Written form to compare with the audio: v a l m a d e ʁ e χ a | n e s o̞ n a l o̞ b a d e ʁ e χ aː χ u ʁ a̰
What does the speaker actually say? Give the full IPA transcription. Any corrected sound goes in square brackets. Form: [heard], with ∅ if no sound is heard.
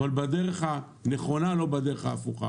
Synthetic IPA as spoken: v a l [b] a d e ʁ e χ a | n e [χ] o̞ n a l o̞ b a d e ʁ e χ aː [f] u [χ] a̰